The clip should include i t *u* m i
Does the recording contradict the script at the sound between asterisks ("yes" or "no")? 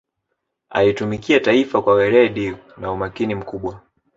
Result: no